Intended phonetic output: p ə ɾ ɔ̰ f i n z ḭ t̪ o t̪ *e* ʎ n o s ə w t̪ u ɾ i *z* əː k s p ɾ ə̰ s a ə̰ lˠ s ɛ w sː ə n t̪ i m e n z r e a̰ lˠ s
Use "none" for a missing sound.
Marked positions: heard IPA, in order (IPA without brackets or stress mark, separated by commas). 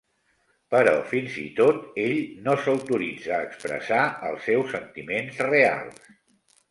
e, d͡z